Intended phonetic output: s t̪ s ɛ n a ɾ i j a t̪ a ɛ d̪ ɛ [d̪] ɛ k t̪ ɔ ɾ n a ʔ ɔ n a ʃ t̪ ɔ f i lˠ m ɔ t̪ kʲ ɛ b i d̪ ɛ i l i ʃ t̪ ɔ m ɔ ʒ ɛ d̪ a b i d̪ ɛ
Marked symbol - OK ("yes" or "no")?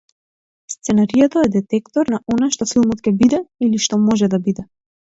no